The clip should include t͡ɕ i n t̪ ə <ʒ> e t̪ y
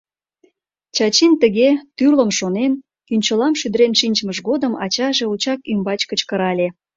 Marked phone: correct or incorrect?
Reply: incorrect